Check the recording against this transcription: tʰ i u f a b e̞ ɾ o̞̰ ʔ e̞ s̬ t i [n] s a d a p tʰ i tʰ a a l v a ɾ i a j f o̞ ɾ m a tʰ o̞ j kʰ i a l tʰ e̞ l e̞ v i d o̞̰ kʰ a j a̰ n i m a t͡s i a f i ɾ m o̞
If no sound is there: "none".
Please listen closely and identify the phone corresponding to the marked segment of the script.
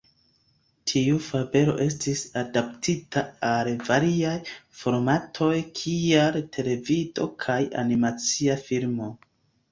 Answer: none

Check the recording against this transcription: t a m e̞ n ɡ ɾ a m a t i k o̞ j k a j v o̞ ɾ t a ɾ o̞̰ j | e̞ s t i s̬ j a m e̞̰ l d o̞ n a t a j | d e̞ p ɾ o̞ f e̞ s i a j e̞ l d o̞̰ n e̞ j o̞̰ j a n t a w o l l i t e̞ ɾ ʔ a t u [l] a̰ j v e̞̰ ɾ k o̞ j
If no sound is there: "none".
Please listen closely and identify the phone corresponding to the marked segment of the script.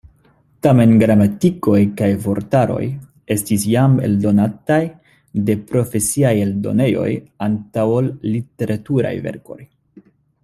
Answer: ɾ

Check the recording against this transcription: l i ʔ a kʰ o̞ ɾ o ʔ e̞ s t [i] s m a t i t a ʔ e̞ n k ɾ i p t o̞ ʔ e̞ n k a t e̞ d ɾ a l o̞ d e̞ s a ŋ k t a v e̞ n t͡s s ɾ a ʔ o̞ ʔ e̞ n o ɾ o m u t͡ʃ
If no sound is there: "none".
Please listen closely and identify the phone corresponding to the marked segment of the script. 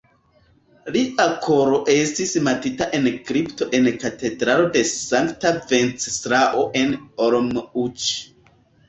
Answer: i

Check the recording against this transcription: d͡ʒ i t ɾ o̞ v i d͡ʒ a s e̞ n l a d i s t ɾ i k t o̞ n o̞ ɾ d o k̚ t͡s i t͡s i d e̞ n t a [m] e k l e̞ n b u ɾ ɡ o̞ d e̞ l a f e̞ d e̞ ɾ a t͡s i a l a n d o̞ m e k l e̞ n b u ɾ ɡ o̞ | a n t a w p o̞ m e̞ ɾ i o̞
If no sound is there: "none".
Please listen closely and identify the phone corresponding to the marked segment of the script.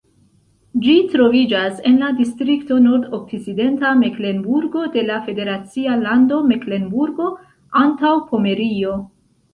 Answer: m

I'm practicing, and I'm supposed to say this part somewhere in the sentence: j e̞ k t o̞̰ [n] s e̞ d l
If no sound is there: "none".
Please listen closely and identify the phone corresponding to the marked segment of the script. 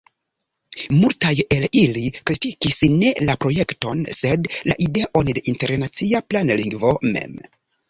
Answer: n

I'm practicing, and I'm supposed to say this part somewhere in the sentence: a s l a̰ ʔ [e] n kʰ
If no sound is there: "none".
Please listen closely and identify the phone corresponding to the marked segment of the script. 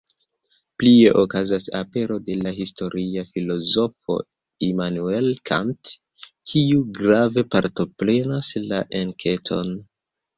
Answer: e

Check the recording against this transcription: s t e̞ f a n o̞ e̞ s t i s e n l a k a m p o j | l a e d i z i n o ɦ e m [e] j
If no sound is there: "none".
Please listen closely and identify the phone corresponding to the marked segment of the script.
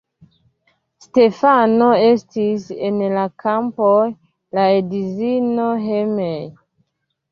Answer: e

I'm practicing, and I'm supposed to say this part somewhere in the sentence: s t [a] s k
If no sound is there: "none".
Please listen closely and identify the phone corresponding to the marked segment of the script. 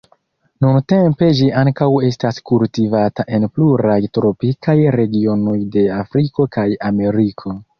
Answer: a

